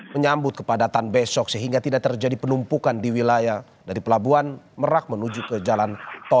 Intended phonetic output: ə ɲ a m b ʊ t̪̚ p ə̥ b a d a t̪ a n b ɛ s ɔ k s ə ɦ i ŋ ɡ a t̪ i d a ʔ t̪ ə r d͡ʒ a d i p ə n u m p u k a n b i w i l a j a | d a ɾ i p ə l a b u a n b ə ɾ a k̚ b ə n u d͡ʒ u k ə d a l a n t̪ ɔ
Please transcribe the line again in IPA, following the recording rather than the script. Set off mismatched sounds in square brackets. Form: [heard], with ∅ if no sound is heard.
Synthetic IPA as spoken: ə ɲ a m b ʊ t̪̚ [k] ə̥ [p] a d a t̪ a n b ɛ s ɔ k s ə ɦ i ŋ ɡ a t̪ i d a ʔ t̪ ə r d͡ʒ a d i p ə n u m p u k a n [d] i w i l a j a | d a ɾ i p ə l a b u a n [m] ə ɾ a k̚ [m] ə n u d͡ʒ u k ə [d͡ʒ] a l a n t̪ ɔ